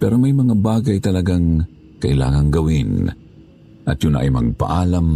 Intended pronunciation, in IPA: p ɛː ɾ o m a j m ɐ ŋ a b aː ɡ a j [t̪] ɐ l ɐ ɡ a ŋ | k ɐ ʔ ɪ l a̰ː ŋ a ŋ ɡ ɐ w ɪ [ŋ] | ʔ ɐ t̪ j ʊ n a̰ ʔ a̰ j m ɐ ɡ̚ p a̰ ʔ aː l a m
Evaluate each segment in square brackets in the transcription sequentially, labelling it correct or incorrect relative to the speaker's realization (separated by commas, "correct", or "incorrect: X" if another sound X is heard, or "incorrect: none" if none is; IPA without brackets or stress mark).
correct, incorrect: n